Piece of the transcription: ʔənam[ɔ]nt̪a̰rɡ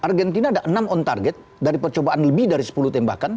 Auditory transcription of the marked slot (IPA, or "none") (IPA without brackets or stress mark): ɔ